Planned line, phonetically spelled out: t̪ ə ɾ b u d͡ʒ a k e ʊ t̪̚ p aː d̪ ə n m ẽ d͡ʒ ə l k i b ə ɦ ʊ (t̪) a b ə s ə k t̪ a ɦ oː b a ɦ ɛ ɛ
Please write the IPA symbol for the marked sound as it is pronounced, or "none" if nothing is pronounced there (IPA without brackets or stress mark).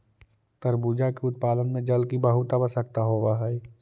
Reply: t̪